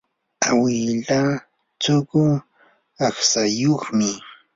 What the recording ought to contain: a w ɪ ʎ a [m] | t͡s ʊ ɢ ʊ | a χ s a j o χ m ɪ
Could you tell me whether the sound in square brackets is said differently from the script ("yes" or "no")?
yes